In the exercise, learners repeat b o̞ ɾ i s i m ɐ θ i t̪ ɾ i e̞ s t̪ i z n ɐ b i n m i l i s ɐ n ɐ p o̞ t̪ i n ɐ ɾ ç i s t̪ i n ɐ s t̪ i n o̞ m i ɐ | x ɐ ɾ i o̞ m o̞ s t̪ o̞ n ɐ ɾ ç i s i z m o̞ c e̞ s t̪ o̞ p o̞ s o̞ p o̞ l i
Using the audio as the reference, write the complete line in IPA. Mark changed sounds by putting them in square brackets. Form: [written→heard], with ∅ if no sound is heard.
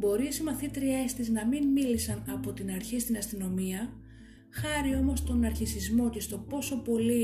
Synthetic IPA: b o̞ ɾ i s i m ɐ θ i t̪ ɾ i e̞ s t̪ i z n ɐ [b→m] i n m i l i s ɐ n ɐ p o̞ t̪ i n ɐ ɾ ç i s t̪ i n ɐ s t̪ i n o̞ m i ɐ | x ɐ ɾ i o̞ m o̞ s t̪ o̞ n ɐ ɾ ç i s i z m o̞ c e̞ s t̪ o̞ p o̞ s o̞ p o̞ l i